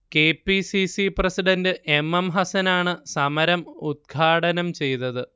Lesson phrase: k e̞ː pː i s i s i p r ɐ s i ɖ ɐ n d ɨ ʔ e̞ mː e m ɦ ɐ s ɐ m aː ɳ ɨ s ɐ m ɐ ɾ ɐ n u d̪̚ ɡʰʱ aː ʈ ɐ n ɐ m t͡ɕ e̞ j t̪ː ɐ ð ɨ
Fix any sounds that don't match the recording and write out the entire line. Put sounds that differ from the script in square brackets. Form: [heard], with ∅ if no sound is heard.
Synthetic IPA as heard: k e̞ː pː i s i s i p r ɐ s i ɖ ɐ n d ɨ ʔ e̞ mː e m ɦ ɐ s ɐ [n] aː ɳ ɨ s ɐ m ɐ ɾ ɐ [m] u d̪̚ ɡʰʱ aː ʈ ɐ n ɐ m t͡ɕ e̞ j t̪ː ɐ ð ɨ